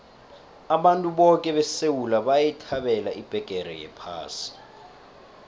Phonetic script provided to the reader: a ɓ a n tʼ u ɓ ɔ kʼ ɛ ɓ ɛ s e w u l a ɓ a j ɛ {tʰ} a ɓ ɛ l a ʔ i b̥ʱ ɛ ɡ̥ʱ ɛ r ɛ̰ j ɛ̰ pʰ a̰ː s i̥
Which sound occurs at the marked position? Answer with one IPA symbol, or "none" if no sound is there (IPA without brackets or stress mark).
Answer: tʰ